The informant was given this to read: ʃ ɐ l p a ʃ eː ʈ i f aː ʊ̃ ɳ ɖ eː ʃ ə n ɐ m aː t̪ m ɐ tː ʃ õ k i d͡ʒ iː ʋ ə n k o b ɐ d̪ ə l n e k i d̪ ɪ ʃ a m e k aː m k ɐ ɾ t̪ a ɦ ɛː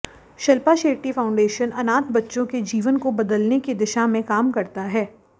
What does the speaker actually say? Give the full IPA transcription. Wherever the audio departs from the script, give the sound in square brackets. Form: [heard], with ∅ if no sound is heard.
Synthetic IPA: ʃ ɐ l p a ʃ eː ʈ i f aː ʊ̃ ɳ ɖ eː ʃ ə n ɐ [n] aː t̪ [b] ɐ tː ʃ õ k [e] d͡ʒ iː ʋ ə n k o b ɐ d̪ ə l n e k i d̪ ɪ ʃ a m [ẽ] k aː m k ɐ ɾ t̪ a ɦ ɛː

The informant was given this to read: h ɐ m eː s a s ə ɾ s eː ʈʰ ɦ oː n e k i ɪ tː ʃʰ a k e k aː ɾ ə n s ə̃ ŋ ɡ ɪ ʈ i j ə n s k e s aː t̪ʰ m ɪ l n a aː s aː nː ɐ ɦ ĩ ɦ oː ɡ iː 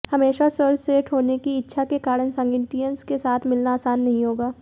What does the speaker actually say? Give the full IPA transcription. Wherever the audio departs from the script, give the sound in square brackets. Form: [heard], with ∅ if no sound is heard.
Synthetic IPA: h ɐ m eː [ʃ] a s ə ɾ s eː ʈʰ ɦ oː n e k i ɪ tː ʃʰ a k e k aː ɾ ə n s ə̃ ŋ ɡ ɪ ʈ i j ə n s k e s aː t̪ʰ m ɪ l n a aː s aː nː ɐ ɦ ĩ ɦ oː ɡ [aː]

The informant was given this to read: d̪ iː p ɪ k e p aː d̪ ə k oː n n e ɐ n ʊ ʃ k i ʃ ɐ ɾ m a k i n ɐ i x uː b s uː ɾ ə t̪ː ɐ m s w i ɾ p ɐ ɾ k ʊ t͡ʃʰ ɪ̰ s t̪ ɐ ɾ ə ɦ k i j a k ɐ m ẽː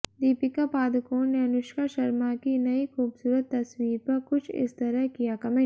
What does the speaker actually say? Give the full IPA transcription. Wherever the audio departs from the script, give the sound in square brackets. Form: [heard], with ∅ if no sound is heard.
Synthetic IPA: d̪ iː p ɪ k [a] p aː d̪ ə k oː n n e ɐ n ʊ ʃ k [a] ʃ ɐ ɾ m a k i n ɐ i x uː b s uː ɾ ə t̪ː ɐ [∅] s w [iː] ɾ p ɐ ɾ k ʊ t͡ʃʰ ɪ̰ s t̪ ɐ ɾ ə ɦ k i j a k ɐ m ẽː

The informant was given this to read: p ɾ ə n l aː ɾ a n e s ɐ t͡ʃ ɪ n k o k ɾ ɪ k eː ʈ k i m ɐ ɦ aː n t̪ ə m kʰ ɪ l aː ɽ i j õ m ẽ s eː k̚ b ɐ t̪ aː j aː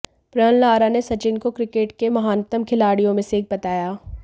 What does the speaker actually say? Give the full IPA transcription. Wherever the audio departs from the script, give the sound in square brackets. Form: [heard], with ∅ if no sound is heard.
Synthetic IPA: p ɾ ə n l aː ɾ a n e s ɐ t͡ʃ ɪ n k o k ɾ ɪ k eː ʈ k [e] m ɐ ɦ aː n t̪ ə m kʰ ɪ l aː ɽ i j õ m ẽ s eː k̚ b ɐ t̪ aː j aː

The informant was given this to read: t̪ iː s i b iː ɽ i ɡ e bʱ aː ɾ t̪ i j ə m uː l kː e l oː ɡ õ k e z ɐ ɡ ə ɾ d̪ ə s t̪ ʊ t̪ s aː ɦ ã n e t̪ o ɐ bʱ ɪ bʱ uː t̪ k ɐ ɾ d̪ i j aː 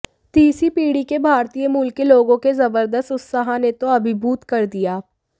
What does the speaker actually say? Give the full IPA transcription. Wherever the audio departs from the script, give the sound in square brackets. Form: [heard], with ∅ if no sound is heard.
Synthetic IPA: t̪ iː s i [p] iː ɽ i [k] e bʱ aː ɾ t̪ i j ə m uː l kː e l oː ɡ õ k e z ɐ [b] ə ɾ d̪ ə s t̪ ʊ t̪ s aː ɦ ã n e t̪ o ɐ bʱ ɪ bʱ uː t̪ k ɐ ɾ d̪ i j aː

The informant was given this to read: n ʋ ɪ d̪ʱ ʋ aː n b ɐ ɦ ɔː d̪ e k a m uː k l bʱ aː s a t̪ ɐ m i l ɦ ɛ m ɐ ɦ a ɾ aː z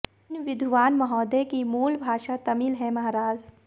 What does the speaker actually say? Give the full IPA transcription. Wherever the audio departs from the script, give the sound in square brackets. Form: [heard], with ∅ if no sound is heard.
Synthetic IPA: n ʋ ɪ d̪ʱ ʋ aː n [m] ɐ ɦ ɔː d̪ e k [i] m uː [∅] l bʱ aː [ʃ] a t̪ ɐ m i l ɦ ɛ m ɐ ɦ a ɾ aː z

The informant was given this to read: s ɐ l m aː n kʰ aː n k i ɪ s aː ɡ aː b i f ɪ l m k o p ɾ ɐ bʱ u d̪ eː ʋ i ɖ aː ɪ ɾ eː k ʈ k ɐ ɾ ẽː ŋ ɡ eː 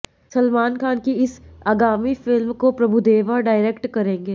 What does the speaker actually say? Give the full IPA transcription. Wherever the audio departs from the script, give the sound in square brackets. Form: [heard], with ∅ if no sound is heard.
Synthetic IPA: s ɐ l m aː n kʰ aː n k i ɪ s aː ɡ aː [m] i f ɪ l m k o p ɾ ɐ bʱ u d̪ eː ʋ [a] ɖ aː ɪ ɾ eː k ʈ k ɐ ɾ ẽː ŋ ɡ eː

